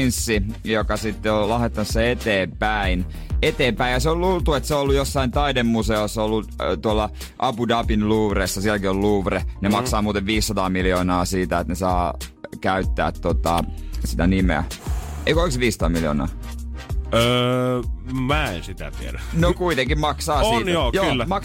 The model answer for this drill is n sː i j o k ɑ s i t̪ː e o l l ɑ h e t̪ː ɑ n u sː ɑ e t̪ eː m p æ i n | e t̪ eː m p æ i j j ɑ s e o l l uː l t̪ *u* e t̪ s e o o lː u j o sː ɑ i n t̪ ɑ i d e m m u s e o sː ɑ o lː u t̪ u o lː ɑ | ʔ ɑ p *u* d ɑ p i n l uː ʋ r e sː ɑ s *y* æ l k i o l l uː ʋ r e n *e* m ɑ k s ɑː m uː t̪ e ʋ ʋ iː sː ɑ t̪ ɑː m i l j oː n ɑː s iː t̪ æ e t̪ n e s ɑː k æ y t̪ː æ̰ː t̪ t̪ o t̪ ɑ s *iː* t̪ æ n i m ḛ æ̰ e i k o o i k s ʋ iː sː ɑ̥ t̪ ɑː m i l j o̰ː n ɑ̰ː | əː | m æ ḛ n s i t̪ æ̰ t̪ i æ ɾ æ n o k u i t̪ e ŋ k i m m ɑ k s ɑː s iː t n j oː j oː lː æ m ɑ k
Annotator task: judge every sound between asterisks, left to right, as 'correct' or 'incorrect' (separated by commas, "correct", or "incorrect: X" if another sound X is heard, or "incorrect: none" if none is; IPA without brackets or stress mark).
correct, correct, incorrect: i, correct, incorrect: i